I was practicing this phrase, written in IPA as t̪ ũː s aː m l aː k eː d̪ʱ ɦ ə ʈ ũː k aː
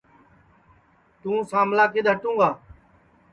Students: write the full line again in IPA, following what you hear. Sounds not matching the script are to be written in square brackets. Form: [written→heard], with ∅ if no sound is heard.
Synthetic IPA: t̪ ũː s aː m l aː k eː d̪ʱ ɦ ə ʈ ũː [k→ɡ] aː